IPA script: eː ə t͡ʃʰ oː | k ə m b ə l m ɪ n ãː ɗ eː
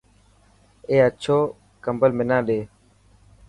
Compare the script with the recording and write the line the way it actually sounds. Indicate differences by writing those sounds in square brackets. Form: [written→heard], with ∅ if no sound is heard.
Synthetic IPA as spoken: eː ə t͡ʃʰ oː | k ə m b ə l m ɪ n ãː ɗ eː